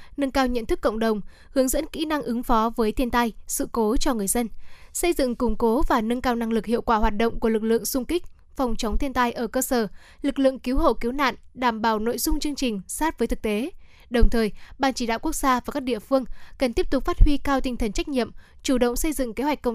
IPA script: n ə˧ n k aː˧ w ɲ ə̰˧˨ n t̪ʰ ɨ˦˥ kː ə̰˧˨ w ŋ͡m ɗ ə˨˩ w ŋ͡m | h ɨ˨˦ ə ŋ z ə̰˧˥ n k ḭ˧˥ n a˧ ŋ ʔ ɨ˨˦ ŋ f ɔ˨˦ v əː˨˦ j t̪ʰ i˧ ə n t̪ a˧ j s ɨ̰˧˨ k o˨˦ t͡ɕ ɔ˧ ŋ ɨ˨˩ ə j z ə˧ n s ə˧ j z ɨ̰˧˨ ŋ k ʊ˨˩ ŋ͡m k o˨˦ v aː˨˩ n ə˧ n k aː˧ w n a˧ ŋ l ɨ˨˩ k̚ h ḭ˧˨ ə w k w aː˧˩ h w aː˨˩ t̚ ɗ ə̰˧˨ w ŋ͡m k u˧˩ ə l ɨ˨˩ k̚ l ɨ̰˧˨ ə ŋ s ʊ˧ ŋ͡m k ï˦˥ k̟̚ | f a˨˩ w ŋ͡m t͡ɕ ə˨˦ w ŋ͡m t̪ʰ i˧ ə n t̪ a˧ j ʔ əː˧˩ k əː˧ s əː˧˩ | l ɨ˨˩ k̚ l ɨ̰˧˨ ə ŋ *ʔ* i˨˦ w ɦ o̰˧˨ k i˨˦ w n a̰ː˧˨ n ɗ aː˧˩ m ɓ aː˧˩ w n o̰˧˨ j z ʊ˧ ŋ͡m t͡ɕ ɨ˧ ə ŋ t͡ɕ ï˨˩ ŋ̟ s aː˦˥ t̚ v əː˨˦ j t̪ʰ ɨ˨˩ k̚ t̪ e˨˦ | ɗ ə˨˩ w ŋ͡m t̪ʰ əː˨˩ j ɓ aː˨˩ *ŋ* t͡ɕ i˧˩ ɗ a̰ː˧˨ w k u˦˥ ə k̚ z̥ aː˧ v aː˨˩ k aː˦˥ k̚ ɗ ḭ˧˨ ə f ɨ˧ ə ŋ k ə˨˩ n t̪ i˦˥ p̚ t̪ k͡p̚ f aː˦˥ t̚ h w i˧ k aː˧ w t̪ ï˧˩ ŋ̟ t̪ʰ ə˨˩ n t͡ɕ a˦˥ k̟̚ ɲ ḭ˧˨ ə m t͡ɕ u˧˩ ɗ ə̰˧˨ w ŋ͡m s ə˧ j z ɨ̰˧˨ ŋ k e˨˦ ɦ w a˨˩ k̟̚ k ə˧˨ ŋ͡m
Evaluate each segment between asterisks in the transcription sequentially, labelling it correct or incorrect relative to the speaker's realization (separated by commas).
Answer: incorrect, incorrect